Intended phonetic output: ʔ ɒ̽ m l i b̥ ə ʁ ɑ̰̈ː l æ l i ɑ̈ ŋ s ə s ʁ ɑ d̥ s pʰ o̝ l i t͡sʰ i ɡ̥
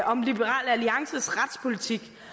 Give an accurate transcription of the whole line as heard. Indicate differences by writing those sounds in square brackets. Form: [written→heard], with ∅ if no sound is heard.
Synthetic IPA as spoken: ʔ ɒ̽ m l i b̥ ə ʁ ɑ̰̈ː l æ l i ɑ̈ ŋ s ə s ʁ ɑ d̥ s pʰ o̝ l i t͡sʰ i ɡ̥